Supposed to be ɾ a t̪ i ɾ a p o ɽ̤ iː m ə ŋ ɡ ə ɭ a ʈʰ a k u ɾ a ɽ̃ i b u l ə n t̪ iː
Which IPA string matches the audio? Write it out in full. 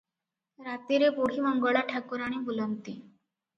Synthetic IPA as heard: ɾ a t̪ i ɾ e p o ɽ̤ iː m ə ŋ ɡ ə ɭ a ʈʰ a k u ɾ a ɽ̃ i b u l ə n t̪ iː